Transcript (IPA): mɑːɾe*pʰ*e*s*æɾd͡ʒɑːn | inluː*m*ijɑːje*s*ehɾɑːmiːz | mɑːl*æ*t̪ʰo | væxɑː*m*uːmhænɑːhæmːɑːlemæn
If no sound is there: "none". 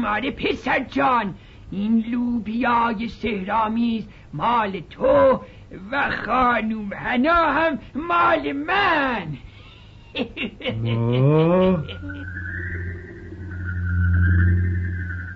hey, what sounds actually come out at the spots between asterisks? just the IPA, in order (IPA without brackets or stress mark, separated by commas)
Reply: pʰ, s, b, s, e, n